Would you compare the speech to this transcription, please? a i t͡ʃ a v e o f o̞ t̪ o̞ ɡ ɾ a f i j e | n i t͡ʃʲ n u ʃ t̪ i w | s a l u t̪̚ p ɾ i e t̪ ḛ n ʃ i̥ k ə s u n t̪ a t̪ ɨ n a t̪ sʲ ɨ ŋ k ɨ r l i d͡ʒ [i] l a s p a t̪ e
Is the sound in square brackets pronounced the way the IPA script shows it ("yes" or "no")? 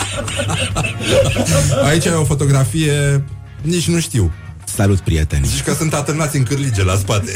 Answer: no